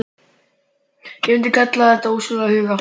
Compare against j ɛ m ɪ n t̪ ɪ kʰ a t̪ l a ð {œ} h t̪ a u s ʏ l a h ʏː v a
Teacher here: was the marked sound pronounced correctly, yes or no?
no